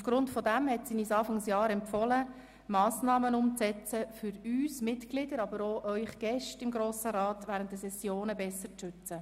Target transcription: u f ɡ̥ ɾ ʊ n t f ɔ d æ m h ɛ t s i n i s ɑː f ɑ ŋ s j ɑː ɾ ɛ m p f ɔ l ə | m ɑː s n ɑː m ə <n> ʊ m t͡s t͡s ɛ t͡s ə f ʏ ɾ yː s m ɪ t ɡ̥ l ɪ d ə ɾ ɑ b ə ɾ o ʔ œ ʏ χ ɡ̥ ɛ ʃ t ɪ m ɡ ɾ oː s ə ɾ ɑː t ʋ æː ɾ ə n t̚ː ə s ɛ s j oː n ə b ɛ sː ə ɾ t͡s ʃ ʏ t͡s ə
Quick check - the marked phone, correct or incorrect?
correct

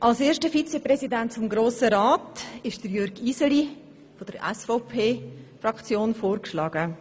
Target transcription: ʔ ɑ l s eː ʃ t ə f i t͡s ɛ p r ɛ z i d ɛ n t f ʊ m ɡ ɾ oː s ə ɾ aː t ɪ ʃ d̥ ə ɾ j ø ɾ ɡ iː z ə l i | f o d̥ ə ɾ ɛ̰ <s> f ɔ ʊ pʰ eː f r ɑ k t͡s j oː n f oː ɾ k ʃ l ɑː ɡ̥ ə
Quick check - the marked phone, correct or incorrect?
correct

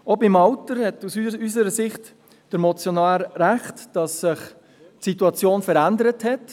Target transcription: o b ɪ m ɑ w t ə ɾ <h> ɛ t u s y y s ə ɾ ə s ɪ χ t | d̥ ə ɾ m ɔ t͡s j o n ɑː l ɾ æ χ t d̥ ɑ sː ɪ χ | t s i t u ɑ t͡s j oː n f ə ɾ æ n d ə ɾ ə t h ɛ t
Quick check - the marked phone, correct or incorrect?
correct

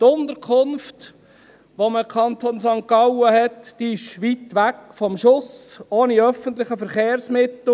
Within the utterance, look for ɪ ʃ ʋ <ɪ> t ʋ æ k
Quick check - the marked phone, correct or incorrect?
incorrect: i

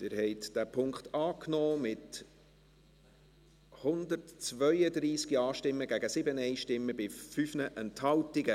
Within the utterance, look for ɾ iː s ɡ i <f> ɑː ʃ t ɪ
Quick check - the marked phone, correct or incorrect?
incorrect: none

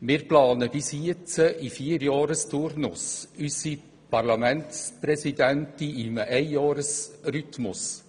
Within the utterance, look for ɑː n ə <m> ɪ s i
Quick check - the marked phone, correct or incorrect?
incorrect: b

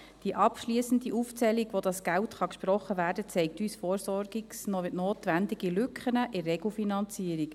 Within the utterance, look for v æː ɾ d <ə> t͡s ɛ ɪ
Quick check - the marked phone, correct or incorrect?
correct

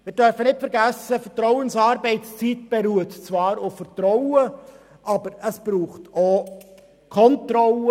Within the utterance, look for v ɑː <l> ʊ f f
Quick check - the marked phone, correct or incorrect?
incorrect: ɾ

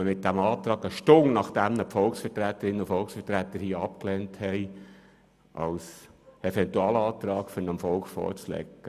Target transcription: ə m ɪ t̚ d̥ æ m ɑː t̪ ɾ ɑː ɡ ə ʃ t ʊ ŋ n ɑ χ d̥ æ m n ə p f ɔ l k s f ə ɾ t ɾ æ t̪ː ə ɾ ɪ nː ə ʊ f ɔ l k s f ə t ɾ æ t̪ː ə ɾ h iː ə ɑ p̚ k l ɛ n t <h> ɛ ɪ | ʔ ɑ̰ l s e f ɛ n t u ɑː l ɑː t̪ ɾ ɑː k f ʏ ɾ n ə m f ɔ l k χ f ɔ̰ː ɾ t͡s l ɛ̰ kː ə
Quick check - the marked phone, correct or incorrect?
correct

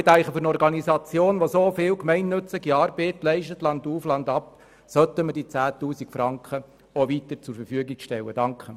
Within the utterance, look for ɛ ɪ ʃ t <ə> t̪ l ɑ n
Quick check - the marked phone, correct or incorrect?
correct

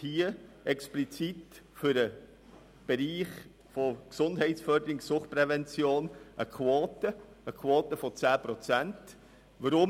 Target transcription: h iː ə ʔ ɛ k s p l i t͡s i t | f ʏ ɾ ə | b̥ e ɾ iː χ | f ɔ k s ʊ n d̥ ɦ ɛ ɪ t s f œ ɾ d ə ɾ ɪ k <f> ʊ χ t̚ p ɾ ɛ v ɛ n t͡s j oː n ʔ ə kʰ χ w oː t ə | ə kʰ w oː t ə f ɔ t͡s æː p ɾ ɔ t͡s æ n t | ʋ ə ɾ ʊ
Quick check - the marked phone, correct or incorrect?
incorrect: s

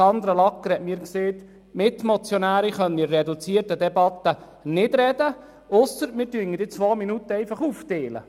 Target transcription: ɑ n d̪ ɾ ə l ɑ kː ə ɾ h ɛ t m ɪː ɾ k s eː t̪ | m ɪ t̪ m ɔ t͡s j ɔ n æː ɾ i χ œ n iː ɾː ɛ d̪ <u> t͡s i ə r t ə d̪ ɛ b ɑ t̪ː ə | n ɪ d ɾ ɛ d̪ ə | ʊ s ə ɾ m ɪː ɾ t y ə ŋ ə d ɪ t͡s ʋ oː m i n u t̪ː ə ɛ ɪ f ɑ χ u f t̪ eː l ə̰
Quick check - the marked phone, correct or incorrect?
correct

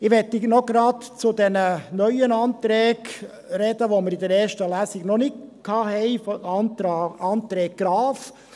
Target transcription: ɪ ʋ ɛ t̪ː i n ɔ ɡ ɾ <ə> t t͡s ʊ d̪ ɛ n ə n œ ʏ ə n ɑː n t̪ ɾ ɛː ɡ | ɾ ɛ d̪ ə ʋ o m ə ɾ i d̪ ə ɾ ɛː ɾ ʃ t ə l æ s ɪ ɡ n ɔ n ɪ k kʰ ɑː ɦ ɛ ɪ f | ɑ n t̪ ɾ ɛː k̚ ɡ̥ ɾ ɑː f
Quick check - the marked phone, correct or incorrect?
incorrect: ɑ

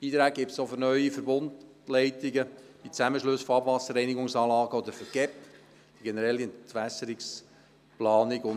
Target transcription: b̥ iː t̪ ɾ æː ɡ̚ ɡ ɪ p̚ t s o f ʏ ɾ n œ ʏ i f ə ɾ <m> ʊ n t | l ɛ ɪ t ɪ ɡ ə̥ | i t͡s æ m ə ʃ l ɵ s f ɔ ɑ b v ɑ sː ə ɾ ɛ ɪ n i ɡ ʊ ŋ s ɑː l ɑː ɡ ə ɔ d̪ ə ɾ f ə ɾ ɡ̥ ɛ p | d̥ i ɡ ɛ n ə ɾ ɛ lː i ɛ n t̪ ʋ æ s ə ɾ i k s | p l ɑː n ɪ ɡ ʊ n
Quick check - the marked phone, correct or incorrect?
incorrect: b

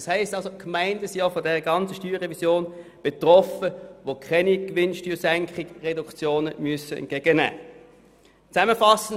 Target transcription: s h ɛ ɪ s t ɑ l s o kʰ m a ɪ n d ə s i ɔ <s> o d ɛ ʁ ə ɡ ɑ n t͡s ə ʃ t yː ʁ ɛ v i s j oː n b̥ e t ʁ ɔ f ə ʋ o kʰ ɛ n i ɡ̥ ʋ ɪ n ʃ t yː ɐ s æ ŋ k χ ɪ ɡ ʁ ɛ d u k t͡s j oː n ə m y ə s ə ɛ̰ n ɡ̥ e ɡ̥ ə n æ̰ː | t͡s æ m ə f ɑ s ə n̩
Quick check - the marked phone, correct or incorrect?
incorrect: f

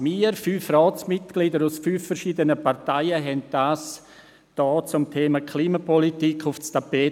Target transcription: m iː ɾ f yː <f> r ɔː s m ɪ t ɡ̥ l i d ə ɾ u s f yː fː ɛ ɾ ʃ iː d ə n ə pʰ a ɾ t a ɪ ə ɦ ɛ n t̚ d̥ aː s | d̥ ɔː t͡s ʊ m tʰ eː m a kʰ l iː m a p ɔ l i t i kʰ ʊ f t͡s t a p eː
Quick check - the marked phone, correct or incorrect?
correct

